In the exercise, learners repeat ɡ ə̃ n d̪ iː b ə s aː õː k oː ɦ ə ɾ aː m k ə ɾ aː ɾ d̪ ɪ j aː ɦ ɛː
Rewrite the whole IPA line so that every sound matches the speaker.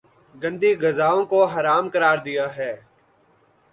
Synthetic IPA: ɡ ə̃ n d̪ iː ɡ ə z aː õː k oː ɦ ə ɾ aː m k ə ɾ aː ɾ d̪ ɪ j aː ɦ ɛː